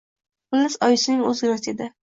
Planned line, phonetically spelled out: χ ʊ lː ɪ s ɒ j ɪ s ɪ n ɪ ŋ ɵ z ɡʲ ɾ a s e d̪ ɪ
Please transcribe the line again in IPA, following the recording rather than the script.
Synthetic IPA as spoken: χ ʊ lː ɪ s ɒ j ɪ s ɪ n ɪ ŋ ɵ z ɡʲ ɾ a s e d̪ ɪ